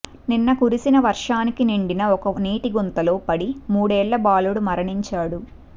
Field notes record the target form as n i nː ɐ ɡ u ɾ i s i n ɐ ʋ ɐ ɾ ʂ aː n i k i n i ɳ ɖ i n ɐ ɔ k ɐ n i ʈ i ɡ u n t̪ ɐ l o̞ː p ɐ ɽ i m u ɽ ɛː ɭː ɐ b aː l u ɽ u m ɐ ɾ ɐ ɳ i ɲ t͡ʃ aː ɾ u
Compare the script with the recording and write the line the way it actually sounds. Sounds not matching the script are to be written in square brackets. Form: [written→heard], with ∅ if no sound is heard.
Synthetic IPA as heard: n i nː ɐ [ɡ→k] u ɾ i s i n ɐ ʋ ɐ ɾ ʂ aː n i k i n i ɳ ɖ i n ɐ ɔ k ɐ n [i→iː] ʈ i ɡ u n t̪ ɐ l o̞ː p ɐ ɽ i m [u→uː] ɽ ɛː ɭː ɐ b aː l u ɽ u m ɐ ɾ ɐ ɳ i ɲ t͡ʃ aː [ɾ→ɽ] u